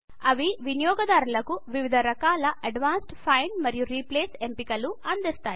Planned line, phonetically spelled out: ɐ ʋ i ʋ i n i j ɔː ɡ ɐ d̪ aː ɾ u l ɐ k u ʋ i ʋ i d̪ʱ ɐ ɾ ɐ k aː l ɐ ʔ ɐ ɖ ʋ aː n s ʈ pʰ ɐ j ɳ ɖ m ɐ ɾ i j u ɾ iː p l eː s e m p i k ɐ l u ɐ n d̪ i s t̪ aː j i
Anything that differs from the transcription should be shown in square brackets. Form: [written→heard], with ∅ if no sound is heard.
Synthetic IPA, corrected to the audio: ɐ ʋ i ʋ i n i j ɔː ɡ ɐ d̪ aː ɾ u l ɐ k u ʋ i ʋ i d̪ʱ ɐ ɾ ɐ k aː l ɐ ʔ ɐ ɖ ʋ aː n s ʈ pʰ ɐ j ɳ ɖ m ɐ ɾ i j u ɾ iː p l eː s e m p i k ɐ l u ɐ n d̪ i s t̪ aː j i